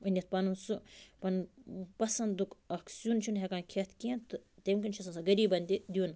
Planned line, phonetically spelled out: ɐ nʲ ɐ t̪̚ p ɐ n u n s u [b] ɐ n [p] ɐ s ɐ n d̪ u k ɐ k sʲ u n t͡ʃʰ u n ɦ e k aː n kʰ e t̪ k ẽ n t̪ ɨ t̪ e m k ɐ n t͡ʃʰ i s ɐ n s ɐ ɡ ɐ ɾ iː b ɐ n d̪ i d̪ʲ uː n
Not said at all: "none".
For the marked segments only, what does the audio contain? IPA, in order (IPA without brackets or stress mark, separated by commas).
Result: p, p